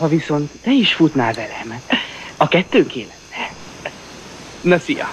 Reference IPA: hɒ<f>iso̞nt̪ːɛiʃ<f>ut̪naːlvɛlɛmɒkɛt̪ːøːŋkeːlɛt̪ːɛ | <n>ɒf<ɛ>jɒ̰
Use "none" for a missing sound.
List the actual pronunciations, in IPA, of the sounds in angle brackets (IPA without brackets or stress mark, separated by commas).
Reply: v, f, n, i